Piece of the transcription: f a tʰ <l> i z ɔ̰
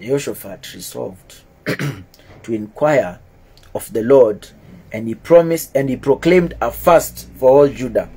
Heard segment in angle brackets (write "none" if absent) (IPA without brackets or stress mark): ɹ